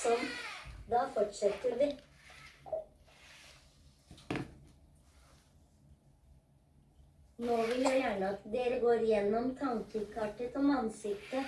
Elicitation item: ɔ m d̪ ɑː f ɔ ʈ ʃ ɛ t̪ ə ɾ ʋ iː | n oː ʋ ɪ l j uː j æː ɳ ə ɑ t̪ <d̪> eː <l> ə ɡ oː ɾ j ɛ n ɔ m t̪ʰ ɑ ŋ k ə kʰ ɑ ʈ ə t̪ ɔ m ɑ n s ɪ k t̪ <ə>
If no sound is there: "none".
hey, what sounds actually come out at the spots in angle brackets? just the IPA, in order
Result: d̪, ɾ, ə

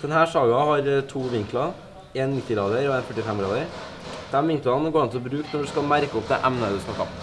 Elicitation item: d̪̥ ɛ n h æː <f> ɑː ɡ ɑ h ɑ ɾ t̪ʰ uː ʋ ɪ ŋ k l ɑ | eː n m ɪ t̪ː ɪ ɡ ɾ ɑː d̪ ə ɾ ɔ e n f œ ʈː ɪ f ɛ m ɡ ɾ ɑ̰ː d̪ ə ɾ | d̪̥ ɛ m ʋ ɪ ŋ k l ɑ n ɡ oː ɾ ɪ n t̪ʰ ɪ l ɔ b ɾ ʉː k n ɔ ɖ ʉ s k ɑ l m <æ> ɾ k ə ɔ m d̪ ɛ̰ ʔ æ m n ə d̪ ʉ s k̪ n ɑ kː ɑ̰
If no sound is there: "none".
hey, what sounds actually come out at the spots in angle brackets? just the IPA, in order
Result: ʂ, æ

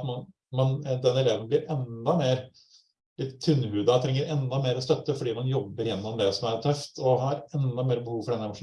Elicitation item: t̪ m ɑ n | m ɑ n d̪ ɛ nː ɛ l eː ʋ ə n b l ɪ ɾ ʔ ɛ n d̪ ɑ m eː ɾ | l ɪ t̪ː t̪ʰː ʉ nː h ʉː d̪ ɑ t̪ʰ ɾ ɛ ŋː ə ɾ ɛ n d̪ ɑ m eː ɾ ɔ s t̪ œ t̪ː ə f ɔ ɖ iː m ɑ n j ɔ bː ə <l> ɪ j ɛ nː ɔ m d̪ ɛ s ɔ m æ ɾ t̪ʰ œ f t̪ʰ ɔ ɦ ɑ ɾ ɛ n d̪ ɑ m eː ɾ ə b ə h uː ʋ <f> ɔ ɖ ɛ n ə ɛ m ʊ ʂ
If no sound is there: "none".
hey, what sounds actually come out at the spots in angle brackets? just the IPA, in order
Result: ɾ, f

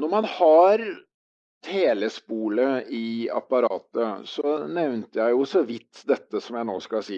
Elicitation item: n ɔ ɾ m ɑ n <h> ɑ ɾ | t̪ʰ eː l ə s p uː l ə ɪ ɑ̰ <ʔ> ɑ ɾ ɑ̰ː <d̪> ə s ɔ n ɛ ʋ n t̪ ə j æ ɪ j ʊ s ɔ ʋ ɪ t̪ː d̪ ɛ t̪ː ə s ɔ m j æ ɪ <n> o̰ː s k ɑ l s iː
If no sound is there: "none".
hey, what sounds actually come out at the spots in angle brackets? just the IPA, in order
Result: h, p, t̪, n

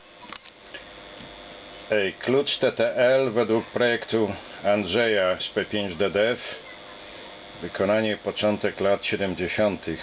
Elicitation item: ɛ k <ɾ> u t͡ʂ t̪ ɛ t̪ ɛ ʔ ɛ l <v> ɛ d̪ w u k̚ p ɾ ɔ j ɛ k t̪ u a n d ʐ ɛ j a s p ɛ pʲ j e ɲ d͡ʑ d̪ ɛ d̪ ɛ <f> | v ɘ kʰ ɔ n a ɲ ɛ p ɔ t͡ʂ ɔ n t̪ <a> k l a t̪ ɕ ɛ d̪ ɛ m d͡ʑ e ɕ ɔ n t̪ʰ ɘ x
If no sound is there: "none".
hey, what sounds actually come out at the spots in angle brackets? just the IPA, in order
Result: l, v, f, ɛ

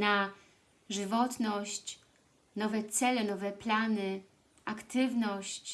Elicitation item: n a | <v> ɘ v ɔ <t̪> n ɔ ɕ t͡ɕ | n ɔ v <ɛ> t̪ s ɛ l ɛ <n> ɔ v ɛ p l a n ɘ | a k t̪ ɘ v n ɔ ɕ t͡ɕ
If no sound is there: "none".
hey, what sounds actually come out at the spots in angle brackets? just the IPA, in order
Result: ʐ, t̪, ɛ, n

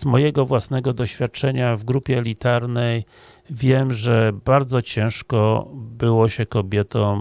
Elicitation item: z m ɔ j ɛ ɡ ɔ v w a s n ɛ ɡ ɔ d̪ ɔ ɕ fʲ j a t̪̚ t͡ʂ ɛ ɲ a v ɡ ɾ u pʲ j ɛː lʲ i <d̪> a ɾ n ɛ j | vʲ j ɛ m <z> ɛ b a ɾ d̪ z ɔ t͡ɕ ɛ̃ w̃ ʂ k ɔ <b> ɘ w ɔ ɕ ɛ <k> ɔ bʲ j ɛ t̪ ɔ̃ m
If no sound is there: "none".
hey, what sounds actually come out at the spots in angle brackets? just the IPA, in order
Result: t̪, ʐ, b, k

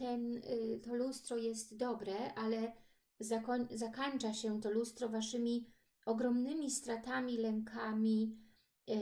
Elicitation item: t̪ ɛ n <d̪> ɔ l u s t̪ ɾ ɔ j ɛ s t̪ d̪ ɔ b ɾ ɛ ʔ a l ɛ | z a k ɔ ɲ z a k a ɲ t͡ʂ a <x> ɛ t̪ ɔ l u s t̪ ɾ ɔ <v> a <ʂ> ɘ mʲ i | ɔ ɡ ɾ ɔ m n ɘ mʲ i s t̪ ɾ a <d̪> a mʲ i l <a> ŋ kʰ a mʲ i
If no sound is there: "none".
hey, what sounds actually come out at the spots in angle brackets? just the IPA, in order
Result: t̪, ɕ, v, ʂ, t̪, ɛ

